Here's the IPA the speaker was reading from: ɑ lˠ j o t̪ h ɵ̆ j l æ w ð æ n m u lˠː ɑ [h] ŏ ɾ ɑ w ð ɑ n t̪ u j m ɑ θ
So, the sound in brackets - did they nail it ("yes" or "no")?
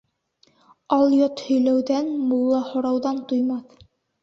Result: yes